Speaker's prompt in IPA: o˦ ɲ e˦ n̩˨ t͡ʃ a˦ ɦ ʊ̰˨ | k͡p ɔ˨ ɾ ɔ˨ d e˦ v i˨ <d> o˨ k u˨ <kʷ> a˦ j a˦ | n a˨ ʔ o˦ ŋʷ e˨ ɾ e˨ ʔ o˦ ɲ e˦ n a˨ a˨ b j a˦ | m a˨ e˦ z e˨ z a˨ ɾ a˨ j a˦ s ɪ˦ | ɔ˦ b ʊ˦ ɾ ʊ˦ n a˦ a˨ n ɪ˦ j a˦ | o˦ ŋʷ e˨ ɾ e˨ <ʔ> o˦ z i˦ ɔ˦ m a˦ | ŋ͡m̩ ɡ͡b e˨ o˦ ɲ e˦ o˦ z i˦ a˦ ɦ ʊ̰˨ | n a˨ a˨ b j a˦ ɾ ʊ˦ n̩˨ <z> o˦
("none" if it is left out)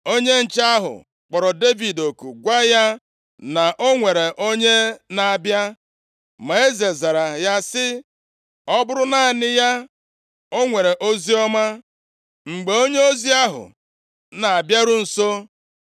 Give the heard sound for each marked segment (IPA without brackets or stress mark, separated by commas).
d, ɡʷ, ʔ, s